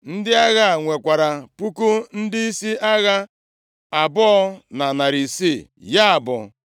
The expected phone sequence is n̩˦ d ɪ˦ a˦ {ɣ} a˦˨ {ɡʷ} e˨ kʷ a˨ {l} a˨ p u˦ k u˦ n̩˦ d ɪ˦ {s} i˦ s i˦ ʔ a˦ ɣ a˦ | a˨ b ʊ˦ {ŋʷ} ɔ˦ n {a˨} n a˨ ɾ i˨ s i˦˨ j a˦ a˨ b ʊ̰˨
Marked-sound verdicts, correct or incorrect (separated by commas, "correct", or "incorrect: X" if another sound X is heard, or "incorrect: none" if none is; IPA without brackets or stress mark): correct, incorrect: ŋʷ, incorrect: ɾ, incorrect: none, incorrect: none, correct